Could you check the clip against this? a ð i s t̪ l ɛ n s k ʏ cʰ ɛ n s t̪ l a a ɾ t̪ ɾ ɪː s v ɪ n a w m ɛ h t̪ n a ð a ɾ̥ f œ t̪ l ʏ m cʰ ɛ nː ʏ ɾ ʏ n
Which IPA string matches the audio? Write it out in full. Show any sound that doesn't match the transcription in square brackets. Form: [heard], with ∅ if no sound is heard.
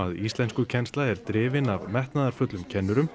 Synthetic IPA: a ð i s t̪ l ɛ n s k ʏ cʰ ɛ n s t̪ l a [ɛ] ɾ t̪ ɾ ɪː [∅] v ɪ n a [v] m ɛ h t̪ n a ð a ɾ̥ f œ t̪ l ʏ m cʰ ɛ nː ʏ ɾ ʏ [m]

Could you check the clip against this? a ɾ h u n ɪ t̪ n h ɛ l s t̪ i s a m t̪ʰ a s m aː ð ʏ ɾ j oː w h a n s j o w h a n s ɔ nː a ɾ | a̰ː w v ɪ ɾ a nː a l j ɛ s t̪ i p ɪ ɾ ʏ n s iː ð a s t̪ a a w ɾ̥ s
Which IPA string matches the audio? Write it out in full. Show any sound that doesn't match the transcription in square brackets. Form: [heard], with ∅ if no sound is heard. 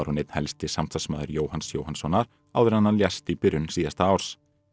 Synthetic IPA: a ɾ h u n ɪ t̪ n h ɛ l s t̪ [ɪ] s a m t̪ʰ a s m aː ð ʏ ɾ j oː w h a n s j o w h a n s ɔ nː a ɾ | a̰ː w [ð] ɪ ɾ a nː a l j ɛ s t̪ i p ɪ ɾ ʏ n s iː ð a s t̪ a a w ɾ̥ s

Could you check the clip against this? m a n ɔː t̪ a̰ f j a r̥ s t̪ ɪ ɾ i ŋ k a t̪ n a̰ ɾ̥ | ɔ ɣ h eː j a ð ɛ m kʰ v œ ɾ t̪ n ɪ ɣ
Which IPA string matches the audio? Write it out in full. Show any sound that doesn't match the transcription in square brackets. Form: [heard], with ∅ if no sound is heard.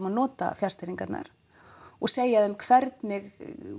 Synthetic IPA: m a n ɔː t̪ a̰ f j a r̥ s t̪ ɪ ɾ i ŋ k a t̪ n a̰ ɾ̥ | ɔ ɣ [s] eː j a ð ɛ m kʰ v [ɛ] ɾ t̪ n ɪ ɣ

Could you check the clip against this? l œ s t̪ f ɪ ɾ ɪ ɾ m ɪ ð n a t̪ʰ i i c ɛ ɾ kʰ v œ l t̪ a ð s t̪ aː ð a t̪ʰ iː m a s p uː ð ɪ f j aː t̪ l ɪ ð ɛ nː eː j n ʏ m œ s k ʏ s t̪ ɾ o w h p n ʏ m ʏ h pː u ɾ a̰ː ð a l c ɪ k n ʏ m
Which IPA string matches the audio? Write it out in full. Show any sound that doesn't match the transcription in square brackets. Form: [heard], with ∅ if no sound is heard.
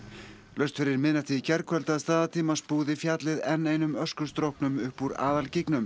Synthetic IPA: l œ s t̪ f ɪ ɾ ɪ ɾ m ɪ ð n a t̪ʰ i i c ɛ ɾ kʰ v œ l t̪ a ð s t̪ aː ð a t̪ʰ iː m a s p uː ð ɪ f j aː t̪ l ɪ ð ɛ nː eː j n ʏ m œ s k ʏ s t̪ ɾ o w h p n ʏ m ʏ h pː u ɾ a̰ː ð a l c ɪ k n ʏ m

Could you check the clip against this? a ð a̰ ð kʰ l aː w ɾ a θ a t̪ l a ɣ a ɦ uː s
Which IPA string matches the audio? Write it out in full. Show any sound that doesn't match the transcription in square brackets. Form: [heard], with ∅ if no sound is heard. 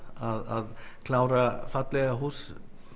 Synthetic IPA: a ð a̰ ð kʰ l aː w ɾ a [f] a t̪ l [ɛ] ɣ a ɦ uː s

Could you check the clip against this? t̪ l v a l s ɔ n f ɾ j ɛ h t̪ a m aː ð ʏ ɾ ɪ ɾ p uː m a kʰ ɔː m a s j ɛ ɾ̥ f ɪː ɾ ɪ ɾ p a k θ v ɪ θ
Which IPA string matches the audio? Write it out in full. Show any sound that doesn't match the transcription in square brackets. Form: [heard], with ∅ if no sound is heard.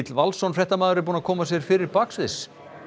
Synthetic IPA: t̪ l v a l s ɔ n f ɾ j ɛ h t̪ a m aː ð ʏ ɾ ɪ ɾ p uː [n] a kʰ ɔː m a s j ɛ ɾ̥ f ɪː ɾ ɪ ɾ p a k [s] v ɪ [s]

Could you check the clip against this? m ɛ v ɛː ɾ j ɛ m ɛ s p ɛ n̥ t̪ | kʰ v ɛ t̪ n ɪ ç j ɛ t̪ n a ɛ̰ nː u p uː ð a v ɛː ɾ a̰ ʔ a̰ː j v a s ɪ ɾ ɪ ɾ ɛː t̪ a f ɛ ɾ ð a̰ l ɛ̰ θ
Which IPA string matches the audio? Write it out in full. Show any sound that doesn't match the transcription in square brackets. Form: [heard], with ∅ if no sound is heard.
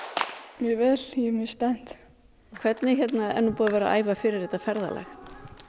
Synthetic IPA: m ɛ v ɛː [l] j ɛ m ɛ s p ɛ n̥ t̪ | kʰ v ɛ t̪ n ɪ ç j ɛ t̪ n a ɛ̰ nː u p uː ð a v ɛː ɾ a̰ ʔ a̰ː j v a [f] ɪ ɾ ɪ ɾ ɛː t̪ a f ɛ ɾ ð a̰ l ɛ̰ [x]

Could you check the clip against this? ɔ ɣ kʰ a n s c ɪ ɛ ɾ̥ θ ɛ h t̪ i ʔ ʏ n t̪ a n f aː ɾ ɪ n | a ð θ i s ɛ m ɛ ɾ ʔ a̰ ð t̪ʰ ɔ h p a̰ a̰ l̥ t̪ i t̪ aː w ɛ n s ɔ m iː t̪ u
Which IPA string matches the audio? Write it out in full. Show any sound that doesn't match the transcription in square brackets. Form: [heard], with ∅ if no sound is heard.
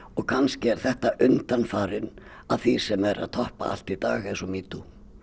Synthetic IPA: ɔ ɣ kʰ a n s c ɪ ɛ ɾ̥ θ ɛ h t̪ [a] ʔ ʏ n t̪ a n f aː ɾ ɪ n | a ð θ i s ɛ m ɛ ɾ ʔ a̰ ð t̪ʰ ɔ h p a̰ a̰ l̥ t̪ i t̪ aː [ɣ] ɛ n s ɔ m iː t̪ u

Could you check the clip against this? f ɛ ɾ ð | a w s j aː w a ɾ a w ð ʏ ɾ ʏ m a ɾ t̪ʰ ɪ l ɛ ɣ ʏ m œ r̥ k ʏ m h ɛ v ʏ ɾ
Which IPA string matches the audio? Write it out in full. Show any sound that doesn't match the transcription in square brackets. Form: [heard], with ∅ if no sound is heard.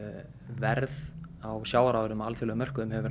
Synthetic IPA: [v] ɛ ɾ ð | a w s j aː w a ɾ a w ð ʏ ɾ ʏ m a [l] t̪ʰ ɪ l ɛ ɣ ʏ m œ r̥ k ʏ m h ɛ v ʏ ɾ

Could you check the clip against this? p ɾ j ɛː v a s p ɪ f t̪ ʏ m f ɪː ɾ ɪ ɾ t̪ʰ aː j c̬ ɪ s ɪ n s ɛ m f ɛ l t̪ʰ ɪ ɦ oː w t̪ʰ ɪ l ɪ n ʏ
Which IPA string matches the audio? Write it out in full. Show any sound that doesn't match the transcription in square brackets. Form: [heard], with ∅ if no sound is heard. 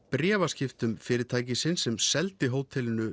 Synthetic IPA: p ɾ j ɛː v a s [c] ɪ f t̪ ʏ m f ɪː ɾ ɪ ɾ t̪ʰ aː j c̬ ɪ s ɪ n s ɛ m [s] ɛ l [t̪] ɪ ɦ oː w t̪ʰ ɪ l ɪ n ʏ

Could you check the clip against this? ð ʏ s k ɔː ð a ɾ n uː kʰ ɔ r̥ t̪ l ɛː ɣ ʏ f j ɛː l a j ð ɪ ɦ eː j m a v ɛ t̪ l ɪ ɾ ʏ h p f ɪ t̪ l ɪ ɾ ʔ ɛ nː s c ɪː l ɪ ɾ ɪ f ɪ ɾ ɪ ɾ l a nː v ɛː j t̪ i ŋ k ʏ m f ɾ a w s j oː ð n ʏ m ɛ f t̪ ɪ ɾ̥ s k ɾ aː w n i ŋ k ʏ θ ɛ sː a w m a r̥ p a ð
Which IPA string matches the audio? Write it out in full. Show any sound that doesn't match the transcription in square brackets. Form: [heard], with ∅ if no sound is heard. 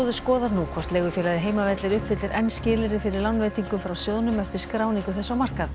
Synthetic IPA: ð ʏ s k ɔː ð a ɾ n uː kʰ ɔ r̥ t̪ l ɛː ɣ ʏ f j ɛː l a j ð ɪ ɦ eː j m a v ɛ t̪ l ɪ ɾ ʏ h p f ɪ t̪ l ɪ ɾ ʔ ɛ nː s c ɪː l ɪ ɾ ɪ f ɪ ɾ ɪ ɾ l a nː v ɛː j t̪ i ŋ k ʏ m f ɾ a w s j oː ð n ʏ m ɛ f t̪ ɪ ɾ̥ s k ɾ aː w n i ŋ k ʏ θ ɛ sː a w m a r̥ [k] a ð

